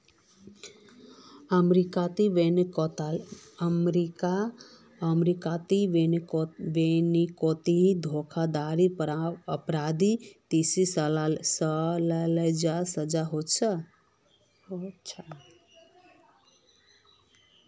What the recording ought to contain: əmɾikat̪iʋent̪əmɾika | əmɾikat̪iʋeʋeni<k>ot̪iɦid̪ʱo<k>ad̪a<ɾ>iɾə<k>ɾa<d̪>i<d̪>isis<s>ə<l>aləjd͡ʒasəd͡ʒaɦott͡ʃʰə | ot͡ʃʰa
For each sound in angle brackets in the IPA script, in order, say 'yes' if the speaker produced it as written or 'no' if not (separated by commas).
yes, no, yes, no, yes, no, yes, yes